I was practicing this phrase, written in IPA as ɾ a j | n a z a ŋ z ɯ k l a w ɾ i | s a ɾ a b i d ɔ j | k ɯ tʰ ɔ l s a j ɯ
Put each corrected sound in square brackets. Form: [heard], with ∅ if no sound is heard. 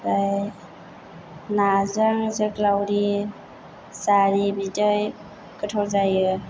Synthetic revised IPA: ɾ a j | n a z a ŋ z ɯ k l a w ɾ i | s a ɾ [i] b i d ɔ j | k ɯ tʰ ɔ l [z] a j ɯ